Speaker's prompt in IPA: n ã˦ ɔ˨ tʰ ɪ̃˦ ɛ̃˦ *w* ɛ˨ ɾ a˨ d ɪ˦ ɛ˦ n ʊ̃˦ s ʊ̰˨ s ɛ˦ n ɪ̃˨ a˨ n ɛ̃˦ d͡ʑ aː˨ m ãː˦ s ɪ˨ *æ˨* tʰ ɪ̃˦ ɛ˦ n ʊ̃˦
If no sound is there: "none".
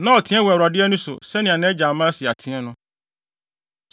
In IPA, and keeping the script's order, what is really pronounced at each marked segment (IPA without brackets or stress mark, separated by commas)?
w, a˨